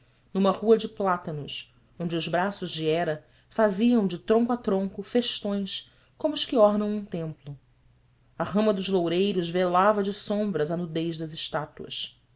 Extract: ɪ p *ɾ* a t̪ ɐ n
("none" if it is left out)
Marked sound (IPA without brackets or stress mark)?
l